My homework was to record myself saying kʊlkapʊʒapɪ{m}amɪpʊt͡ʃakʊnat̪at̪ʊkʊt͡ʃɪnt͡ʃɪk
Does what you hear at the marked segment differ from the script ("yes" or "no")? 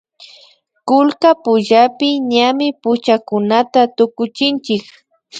yes